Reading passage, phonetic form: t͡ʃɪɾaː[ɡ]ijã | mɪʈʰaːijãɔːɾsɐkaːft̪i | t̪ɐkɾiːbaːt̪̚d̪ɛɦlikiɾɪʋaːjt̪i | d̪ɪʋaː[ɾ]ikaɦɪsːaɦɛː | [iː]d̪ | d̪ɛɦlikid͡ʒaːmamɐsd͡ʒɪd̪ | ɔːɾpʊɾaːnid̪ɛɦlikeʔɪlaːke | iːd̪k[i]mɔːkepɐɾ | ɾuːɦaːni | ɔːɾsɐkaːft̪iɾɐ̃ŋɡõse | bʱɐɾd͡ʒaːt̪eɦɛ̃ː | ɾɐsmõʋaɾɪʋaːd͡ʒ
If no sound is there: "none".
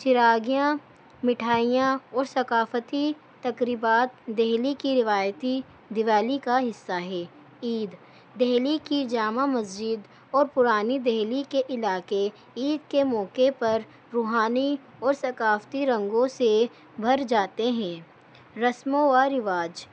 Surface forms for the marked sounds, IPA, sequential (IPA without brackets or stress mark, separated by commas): ɡ, l, iː, e